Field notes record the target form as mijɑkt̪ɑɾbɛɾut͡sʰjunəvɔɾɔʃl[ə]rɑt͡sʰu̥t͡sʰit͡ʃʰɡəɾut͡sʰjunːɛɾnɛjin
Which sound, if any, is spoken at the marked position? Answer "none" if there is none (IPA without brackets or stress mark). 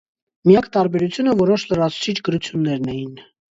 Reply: ə